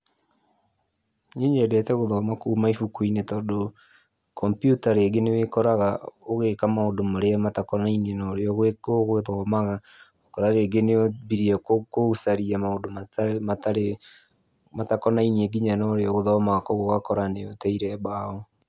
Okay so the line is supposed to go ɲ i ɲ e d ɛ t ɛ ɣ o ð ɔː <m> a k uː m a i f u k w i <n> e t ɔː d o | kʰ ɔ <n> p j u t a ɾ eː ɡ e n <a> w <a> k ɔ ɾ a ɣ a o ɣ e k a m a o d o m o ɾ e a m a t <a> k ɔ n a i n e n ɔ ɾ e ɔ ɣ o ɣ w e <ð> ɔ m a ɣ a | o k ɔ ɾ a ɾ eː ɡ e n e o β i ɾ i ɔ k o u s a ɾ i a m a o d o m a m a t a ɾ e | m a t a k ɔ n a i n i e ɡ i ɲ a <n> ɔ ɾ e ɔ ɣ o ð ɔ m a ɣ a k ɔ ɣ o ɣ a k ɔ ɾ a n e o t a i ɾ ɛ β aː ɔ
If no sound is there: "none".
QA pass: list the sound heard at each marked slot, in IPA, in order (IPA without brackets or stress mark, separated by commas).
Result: m, n, m, e, e, a, ð, n